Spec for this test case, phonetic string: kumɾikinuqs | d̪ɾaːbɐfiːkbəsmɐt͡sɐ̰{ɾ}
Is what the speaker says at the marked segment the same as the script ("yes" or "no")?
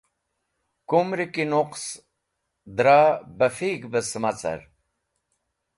yes